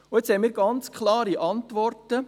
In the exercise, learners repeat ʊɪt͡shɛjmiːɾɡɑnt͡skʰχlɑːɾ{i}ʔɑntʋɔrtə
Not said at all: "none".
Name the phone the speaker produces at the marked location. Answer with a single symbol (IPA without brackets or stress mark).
i